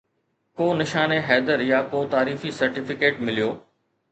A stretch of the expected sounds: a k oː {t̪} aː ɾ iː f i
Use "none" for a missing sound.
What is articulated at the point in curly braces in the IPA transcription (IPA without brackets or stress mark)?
t̪